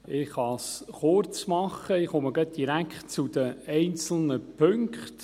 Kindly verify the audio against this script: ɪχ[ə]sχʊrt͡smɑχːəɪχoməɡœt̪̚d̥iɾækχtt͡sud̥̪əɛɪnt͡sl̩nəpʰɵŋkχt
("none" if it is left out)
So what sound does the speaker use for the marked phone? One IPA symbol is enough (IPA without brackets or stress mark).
ɑ